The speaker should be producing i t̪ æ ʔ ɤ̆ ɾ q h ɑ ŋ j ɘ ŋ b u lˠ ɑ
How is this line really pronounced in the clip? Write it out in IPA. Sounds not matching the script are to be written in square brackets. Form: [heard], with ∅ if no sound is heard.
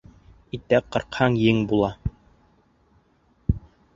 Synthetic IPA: i t̪ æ [q] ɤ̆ ɾ q h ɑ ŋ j ɘ ŋ b u lˠ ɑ